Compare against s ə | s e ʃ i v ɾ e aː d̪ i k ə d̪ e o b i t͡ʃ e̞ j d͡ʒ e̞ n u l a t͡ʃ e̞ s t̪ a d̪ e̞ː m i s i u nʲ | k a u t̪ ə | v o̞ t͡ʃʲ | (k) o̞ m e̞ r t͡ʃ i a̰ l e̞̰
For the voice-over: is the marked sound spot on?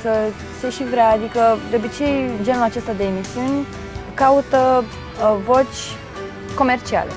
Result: yes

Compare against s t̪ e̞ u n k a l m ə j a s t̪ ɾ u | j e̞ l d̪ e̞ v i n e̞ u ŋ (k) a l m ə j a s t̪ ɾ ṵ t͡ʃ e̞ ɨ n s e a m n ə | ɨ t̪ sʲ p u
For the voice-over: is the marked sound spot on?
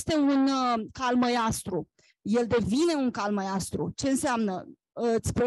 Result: yes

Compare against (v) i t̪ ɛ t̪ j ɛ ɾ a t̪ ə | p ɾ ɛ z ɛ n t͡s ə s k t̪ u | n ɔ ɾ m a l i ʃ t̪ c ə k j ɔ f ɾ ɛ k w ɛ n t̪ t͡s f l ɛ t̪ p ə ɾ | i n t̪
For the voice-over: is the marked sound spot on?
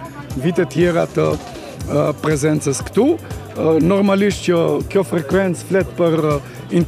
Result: yes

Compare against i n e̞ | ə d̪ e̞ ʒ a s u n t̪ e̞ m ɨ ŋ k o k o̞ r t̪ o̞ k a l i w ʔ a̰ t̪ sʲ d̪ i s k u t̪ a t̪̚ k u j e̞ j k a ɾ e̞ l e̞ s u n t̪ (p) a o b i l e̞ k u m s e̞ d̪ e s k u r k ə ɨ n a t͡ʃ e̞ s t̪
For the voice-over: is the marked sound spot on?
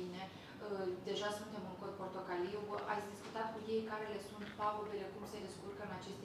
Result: yes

